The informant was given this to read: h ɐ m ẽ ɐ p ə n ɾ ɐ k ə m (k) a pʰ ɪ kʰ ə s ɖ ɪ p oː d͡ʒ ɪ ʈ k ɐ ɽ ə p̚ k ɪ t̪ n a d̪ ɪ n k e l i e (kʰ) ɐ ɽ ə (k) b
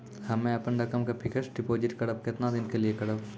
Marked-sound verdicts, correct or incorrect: correct, incorrect, incorrect

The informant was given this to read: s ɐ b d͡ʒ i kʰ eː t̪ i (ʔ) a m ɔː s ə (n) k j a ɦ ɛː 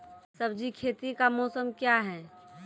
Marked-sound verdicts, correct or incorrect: incorrect, incorrect

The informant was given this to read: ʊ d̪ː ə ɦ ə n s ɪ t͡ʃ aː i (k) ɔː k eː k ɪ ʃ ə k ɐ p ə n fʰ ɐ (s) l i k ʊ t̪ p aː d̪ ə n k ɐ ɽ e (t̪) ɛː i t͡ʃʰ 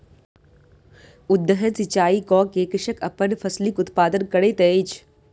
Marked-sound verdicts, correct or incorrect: correct, correct, correct

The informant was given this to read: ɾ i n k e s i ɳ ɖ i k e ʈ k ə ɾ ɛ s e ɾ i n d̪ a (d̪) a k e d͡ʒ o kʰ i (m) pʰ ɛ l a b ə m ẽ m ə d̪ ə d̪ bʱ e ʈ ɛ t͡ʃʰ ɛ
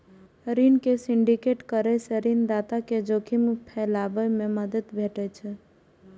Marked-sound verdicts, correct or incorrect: incorrect, correct

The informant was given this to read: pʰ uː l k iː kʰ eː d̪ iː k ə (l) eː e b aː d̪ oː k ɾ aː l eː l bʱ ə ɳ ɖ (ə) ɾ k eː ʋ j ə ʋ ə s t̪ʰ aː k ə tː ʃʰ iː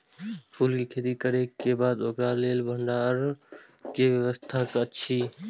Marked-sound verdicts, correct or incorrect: incorrect, incorrect

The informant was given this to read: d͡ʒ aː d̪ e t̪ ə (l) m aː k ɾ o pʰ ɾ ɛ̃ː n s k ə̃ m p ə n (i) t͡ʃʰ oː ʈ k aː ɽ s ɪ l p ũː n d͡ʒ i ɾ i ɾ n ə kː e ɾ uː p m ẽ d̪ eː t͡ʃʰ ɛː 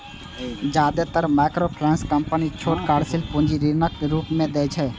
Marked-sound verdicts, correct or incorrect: incorrect, correct

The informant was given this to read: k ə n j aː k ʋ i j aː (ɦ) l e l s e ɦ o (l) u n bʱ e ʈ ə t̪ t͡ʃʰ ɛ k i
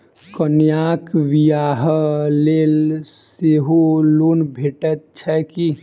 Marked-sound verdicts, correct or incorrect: correct, correct

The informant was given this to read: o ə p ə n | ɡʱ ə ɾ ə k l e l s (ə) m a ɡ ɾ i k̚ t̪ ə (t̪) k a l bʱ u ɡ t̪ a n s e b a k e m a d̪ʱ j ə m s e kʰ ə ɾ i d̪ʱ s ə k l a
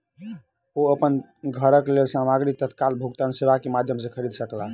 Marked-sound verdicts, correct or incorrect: incorrect, correct

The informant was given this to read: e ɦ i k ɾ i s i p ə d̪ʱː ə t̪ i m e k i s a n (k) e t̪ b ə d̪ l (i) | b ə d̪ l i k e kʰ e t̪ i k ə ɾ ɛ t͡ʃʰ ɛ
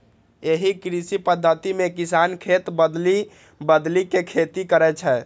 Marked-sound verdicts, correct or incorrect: incorrect, correct

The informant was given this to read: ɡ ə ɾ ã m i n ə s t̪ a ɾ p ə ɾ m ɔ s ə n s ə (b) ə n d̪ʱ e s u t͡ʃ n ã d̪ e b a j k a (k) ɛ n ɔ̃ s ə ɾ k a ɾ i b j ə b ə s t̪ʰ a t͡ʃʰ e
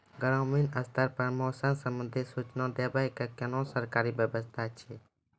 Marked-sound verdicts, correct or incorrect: incorrect, correct

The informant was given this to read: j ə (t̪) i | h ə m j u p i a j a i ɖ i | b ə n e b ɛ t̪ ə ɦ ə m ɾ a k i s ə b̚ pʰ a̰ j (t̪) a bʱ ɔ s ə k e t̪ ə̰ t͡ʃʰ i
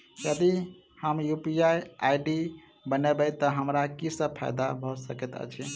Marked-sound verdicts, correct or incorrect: incorrect, incorrect

